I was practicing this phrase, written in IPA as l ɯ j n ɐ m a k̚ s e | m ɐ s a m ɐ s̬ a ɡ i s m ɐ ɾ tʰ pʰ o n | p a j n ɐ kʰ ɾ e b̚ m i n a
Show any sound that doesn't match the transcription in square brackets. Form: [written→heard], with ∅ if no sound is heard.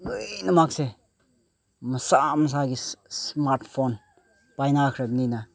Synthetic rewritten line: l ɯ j n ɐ m a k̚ s e | m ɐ s a m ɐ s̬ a ɡ i s m [ɐ→a] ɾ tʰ pʰ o n | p a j n [ɐ→a] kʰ ɾ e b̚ [m→n] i n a

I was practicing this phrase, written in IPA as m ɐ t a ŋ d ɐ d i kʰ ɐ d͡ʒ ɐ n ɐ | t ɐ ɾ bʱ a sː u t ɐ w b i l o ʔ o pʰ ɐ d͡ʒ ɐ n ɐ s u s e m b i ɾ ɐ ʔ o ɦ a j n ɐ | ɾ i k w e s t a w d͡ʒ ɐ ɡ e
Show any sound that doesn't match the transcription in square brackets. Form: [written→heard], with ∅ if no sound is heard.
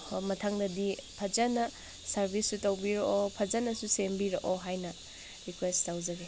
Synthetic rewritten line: m ɐ [t→tʰ] a ŋ d ɐ d i [kʰ→pʰ] ɐ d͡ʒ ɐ n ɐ | [t→s] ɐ ɾ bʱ [a→i] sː u t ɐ w b i [l→ɾ] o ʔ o pʰ ɐ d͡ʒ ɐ n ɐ s u s e m b i ɾ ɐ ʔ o ɦ a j n ɐ | ɾ i k w e s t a w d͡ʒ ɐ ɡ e

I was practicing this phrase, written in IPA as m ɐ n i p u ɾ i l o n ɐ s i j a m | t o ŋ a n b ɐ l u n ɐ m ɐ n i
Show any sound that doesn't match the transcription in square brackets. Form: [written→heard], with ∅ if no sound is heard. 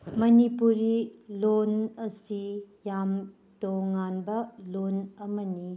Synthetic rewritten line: m ɐ n i p u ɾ i l o n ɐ s i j a m | t o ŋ a n b ɐ l [u→o] n ɐ m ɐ n i

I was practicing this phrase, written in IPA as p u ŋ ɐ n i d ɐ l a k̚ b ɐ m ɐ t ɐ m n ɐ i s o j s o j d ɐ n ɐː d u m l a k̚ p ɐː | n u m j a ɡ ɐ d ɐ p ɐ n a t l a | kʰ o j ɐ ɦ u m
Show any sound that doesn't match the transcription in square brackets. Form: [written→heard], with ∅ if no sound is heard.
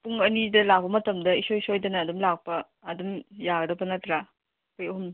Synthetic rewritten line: p u ŋ ɐ n i d ɐ l a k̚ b ɐ m ɐ t ɐ m [n→d] ɐ i s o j s o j d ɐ n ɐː d u m l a k̚ p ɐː | [n→d] u m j a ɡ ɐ d ɐ p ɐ n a t [l→ɾ] a | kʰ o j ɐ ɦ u m

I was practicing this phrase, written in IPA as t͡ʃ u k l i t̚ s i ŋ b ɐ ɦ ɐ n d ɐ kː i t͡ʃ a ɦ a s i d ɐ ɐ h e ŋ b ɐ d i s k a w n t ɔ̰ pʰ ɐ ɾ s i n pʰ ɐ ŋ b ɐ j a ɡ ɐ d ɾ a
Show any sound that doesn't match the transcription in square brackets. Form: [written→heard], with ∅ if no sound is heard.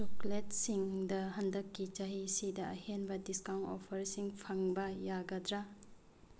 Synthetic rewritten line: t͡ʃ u k l [i→e] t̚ s i ŋ [b→d] ɐ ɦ ɐ n d ɐ kː i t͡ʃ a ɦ [a→i] s i d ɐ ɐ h e [ŋ→n] b ɐ d i s k a w n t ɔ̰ pʰ ɐ ɾ s i [n→ŋ] pʰ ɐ ŋ b ɐ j a ɡ ɐ d ɾ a

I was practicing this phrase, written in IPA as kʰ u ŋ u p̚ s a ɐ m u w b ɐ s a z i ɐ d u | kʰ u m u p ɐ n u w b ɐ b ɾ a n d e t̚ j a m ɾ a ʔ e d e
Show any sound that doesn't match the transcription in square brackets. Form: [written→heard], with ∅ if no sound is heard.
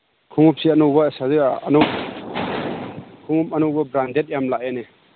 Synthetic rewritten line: kʰ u ŋ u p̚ s [a→i] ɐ [m→n] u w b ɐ s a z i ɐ [d→n] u | kʰ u [m→ŋ] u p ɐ n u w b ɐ b ɾ a n d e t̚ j a m [ɾ→l] a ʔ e [d→n] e

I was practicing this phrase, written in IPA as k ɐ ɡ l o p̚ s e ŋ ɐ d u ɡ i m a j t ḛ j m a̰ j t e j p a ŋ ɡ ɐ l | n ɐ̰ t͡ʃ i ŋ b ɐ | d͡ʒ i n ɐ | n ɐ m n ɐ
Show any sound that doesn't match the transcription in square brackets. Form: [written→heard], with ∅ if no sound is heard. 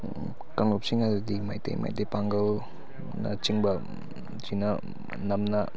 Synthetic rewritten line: k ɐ [ɡ→ŋ] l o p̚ s [e→i] ŋ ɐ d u [ɡ→d] i m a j t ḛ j m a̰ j t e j p a ŋ ɡ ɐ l | n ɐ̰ t͡ʃ i ŋ b ɐ | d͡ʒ i n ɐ | n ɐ m n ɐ

